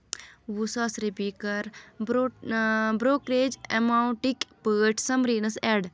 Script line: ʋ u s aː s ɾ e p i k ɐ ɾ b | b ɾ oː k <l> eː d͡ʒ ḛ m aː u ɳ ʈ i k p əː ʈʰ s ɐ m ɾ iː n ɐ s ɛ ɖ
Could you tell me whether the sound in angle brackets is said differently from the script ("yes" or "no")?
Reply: yes